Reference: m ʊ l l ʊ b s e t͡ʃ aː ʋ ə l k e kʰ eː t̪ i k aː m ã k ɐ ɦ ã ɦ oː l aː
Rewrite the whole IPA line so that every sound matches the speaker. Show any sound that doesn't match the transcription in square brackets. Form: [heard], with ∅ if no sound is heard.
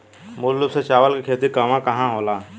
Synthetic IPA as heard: m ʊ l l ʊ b s e t͡ʃ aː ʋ ə l k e kʰ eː t̪ i k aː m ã k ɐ ɦ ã ɦ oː l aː